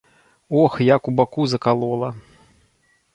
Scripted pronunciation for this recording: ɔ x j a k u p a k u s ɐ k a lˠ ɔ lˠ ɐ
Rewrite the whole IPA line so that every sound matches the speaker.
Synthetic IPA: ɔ x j a k u b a k u z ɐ k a lˠ ɔ lˠ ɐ